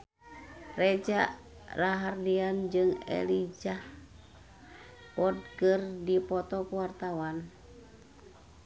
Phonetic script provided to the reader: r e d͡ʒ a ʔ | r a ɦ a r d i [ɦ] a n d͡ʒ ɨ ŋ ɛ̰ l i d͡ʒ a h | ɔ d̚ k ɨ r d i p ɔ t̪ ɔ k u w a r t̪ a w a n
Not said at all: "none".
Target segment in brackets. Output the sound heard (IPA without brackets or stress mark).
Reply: none